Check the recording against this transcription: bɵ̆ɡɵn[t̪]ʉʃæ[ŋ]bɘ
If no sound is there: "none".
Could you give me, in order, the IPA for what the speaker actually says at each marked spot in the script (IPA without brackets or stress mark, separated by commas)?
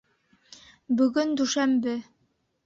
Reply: d̪, m